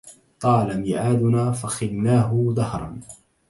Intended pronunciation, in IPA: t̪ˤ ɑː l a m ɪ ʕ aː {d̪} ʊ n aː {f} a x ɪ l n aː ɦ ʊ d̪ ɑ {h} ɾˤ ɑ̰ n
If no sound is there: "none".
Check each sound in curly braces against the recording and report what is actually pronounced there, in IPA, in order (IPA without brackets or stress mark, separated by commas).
d̪, f, h